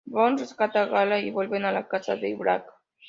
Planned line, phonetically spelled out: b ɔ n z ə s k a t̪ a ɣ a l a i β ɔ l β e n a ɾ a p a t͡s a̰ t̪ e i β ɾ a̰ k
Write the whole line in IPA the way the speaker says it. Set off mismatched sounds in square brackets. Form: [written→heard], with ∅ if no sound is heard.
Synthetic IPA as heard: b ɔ n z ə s k a t̪ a ɣ a l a i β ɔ l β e n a [ɾ→l] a [p→k] a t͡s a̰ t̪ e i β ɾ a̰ k